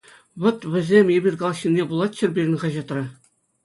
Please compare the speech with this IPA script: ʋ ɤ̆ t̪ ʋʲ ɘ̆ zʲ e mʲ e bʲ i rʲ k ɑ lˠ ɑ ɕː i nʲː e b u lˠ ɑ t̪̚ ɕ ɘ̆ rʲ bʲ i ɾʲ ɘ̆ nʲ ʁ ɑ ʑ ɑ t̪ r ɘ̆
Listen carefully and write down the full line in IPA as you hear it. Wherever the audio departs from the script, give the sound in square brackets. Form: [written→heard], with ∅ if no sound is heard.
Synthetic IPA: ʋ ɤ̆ t̪ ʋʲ ɘ̆ zʲ e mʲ e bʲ i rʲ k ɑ lˠ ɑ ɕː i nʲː e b u lˠ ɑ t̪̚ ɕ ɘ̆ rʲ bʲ i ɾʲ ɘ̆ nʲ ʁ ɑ ʑ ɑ t̪ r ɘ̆